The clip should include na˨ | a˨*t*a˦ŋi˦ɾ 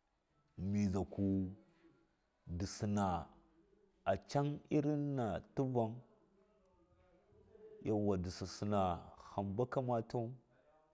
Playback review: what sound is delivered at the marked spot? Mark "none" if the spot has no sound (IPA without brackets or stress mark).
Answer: t͡ʃ